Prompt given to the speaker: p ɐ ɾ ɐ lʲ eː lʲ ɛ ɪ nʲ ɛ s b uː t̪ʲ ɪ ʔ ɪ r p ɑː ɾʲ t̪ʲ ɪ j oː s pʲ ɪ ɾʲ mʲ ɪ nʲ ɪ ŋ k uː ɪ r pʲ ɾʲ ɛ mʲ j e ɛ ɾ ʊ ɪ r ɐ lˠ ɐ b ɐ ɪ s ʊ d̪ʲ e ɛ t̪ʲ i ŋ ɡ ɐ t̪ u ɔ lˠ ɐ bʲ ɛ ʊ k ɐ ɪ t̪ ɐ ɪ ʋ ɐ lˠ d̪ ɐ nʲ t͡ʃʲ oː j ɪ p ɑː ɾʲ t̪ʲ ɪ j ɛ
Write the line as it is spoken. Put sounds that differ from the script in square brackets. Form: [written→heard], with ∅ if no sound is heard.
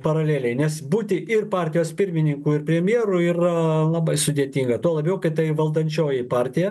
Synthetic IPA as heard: p ɐ ɾ ɐ lʲ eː lʲ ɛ ɪ nʲ ɛ s b uː t̪ʲ ɪ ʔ ɪ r p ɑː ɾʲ t̪ʲ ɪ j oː s pʲ ɪ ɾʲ mʲ ɪ nʲ ɪ ŋ k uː ɪ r pʲ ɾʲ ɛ mʲ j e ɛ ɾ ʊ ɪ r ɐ lˠ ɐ b ɐ ɪ s ʊ d̪ʲ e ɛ t̪ʲ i ŋ ɡ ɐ t̪ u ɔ lˠ ɐ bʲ ɛ ʊ k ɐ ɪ t̪ ɐ ɪ ʋ ɐ lˠ d̪ ɐ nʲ t͡ʃʲ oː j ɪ p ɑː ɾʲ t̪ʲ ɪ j ɛ